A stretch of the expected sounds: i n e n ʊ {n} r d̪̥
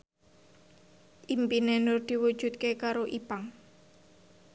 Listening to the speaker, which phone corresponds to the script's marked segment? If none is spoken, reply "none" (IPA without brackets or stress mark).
none